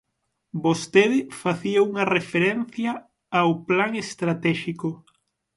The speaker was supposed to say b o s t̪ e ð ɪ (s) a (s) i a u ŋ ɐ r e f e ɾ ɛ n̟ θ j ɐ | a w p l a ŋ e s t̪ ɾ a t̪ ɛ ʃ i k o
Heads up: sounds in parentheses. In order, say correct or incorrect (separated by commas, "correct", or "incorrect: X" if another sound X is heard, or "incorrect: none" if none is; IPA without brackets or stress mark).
incorrect: f, incorrect: θ